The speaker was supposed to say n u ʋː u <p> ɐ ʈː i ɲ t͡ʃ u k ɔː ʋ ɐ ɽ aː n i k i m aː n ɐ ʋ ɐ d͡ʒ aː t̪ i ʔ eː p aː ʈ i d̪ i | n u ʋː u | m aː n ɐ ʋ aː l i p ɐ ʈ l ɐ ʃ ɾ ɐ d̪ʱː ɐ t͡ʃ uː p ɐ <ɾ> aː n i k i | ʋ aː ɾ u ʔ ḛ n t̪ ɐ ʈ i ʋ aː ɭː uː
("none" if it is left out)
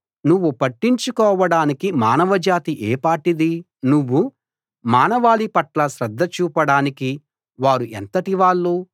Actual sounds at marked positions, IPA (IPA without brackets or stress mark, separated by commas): p, ɽ